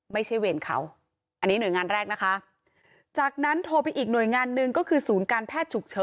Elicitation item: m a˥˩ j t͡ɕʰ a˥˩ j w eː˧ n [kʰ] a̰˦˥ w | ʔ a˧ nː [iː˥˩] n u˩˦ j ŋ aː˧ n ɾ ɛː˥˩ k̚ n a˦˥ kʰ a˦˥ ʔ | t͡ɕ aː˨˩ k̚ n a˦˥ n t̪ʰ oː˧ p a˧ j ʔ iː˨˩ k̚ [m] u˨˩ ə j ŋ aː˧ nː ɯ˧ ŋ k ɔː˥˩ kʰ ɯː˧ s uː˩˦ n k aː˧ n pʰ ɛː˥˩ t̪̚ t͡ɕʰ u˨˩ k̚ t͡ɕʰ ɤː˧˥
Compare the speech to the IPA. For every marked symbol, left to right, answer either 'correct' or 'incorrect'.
correct, incorrect, incorrect

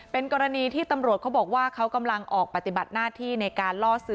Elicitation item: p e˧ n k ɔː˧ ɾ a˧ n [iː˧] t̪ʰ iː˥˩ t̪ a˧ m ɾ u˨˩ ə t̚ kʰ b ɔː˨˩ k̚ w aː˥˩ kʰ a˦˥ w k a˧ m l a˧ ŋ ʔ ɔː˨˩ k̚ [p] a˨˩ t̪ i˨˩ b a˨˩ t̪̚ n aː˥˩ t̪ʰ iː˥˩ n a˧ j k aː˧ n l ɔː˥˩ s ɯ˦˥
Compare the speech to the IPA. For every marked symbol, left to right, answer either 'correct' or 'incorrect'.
correct, correct

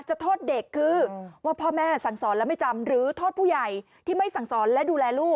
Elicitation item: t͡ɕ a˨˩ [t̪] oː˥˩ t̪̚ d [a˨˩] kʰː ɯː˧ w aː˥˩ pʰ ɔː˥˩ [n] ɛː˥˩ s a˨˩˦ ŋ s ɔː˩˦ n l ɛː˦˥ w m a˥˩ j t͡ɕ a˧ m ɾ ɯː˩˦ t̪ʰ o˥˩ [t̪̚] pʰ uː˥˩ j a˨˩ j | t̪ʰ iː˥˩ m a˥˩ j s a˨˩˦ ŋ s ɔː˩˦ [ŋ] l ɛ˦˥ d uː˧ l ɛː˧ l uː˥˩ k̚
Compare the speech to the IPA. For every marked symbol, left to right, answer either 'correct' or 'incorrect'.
incorrect, incorrect, incorrect, correct, incorrect

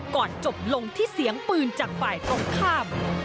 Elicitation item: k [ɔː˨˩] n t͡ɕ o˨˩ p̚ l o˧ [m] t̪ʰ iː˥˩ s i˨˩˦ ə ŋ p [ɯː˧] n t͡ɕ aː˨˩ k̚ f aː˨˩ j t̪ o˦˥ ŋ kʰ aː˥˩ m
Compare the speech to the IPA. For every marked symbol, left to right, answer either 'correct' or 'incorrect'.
correct, incorrect, correct

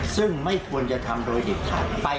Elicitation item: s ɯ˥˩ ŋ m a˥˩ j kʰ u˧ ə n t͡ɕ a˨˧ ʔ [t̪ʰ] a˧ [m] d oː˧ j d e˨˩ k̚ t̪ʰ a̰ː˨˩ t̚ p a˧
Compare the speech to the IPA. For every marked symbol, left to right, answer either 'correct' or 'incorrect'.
correct, correct

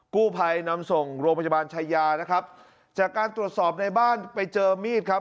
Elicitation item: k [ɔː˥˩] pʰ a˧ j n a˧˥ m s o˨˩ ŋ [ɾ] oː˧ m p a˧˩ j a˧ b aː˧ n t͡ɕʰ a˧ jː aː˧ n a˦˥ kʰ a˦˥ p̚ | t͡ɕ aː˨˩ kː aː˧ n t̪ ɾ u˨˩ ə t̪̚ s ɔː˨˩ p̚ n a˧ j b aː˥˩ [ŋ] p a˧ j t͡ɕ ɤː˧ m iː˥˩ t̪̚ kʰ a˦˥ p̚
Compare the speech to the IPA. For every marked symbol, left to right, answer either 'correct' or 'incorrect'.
incorrect, correct, incorrect

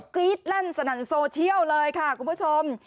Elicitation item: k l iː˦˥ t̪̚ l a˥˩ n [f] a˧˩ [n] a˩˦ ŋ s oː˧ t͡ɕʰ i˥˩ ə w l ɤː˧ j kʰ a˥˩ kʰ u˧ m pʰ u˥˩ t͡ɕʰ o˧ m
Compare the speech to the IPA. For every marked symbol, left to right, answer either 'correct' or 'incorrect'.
incorrect, correct

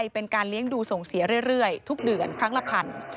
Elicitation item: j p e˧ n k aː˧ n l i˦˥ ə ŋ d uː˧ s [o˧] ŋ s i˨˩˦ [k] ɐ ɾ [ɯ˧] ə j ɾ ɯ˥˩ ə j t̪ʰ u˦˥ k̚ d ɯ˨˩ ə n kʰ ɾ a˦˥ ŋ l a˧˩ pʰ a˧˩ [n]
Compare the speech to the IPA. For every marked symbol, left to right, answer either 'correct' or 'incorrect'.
incorrect, incorrect, incorrect, correct

